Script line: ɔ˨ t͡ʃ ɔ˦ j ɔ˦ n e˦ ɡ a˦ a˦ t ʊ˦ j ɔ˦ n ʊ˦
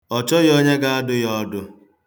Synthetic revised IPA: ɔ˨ t͡ʃ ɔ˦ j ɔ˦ ɲ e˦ ɡ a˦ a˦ d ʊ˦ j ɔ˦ d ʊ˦